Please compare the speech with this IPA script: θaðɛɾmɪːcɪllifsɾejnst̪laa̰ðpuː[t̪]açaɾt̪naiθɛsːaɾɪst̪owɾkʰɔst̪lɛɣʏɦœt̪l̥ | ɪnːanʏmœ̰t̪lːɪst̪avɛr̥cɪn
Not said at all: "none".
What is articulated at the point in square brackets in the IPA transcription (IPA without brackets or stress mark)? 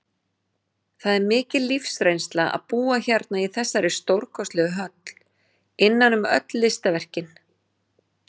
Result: none